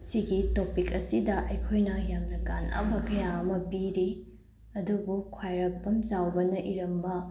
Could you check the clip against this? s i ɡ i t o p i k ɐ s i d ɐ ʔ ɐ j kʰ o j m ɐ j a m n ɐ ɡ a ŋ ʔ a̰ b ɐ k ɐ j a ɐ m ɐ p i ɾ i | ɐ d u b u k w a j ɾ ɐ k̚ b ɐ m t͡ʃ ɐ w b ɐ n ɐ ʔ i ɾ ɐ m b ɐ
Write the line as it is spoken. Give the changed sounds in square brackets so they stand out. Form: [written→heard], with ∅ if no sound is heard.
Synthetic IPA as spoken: s i ɡ i t o p i k ɐ s i d ɐ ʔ ɐ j kʰ o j [m→n] ɐ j a m n ɐ ɡ a [ŋ→n] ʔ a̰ b ɐ k ɐ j a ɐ m ɐ p i ɾ i | ɐ d u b u [k→kʰ] w a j ɾ ɐ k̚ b ɐ m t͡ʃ [ɐ→a] w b ɐ n ɐ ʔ i ɾ ɐ m b ɐ